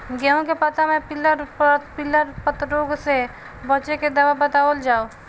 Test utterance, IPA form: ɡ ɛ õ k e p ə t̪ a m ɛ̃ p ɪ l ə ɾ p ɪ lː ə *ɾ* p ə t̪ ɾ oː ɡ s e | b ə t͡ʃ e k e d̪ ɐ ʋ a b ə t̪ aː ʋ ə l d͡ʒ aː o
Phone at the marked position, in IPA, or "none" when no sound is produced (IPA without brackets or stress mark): ɾ